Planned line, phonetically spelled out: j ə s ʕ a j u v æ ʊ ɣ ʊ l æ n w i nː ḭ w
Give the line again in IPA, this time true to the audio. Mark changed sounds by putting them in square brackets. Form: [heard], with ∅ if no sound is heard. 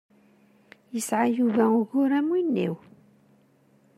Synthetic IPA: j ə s ʕ a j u v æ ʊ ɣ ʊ [ɾ] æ [m] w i nː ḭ w